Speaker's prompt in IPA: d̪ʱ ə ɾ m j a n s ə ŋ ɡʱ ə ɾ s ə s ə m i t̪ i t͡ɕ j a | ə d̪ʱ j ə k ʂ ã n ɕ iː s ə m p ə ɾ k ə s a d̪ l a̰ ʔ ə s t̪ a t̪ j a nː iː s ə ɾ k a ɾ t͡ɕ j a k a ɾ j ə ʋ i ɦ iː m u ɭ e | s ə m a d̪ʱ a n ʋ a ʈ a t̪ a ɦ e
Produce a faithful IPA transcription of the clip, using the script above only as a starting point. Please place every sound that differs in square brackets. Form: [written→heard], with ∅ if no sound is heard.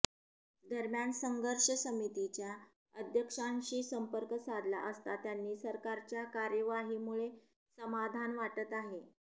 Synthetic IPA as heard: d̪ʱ ə ɾ m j a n s ə ŋ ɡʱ ə ɾ [s→ʂ] ə s ə m i t̪ i t͡ɕ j a | ə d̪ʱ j ə k ʂ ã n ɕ iː s ə m p ə ɾ k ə s a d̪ l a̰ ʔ ə s t̪ a t̪ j a nː iː s ə ɾ k a ɾ t͡ɕ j a k a ɾ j ə ʋ [i→a] ɦ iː m u ɭ e | s ə m a d̪ʱ a n ʋ a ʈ [a→ə] t̪ a ɦ e